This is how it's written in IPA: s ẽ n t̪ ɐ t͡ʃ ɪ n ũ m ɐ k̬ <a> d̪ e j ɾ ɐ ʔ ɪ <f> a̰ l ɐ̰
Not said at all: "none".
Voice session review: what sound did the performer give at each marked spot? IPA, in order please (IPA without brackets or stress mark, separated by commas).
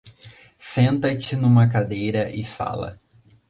a, f